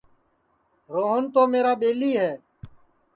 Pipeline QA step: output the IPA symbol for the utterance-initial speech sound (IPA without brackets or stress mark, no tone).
ɾ